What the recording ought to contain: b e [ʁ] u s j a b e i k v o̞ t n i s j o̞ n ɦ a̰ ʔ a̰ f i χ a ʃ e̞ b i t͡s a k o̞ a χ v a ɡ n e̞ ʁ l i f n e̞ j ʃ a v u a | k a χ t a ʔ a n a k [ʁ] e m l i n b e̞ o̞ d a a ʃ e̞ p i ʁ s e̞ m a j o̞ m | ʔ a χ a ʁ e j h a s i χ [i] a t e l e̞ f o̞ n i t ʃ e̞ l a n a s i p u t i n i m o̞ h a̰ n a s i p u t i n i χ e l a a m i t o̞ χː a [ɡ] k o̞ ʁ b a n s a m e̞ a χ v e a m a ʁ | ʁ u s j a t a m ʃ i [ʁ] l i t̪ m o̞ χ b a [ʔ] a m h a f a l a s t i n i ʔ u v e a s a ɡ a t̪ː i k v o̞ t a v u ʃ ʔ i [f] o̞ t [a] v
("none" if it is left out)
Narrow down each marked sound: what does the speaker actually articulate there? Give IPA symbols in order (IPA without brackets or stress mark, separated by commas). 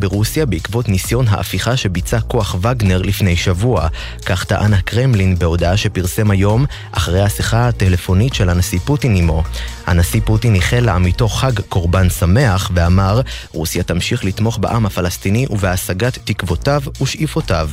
ʁ, ʁ, a, ɡ, χ, ʔ, f, a